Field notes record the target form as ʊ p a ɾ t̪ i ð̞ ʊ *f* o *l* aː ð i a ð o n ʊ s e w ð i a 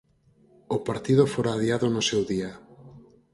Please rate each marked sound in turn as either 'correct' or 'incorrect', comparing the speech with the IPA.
correct, incorrect: ɾ

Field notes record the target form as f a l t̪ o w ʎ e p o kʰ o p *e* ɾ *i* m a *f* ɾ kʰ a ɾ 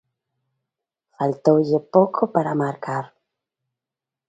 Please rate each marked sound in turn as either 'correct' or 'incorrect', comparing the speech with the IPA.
incorrect: a, incorrect: a, incorrect: none

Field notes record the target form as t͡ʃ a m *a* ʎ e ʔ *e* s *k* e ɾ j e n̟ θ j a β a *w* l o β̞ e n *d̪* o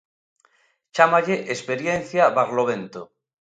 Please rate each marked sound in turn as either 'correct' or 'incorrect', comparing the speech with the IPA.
correct, correct, incorrect: p, incorrect: ɣ, incorrect: t̪

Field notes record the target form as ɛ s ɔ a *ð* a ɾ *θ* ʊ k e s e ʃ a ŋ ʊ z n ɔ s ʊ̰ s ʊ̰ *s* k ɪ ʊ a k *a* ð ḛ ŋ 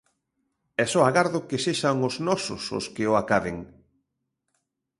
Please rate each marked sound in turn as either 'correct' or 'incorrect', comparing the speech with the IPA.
incorrect: ɣ, incorrect: ð, correct, correct

